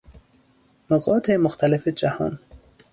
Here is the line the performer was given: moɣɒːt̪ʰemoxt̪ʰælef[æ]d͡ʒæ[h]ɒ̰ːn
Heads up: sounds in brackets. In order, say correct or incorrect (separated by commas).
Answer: incorrect, correct